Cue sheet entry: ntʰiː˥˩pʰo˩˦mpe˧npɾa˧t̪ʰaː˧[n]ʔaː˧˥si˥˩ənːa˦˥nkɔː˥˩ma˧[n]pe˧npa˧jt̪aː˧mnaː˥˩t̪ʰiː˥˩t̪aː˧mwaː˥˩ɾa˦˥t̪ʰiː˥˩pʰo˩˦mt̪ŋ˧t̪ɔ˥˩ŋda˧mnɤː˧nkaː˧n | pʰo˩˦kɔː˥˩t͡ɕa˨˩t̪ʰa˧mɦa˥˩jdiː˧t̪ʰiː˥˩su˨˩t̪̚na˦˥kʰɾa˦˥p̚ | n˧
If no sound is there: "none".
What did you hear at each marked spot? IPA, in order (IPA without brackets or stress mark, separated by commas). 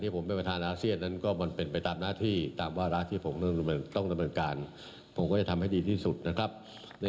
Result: n, n